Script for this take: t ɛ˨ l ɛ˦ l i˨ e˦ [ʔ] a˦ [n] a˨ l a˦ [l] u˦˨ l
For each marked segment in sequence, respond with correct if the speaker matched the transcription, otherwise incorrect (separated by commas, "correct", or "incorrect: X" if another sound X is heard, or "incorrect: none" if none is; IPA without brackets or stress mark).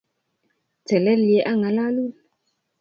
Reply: correct, incorrect: ŋ, correct